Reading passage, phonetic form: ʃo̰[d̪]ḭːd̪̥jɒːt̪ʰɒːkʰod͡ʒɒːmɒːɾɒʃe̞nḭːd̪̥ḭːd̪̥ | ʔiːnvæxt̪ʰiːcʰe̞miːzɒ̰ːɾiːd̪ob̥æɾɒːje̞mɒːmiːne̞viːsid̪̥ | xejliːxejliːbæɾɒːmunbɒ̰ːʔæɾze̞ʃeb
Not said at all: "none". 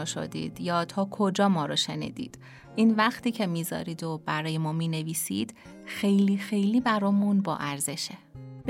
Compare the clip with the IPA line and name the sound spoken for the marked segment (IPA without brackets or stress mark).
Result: d̪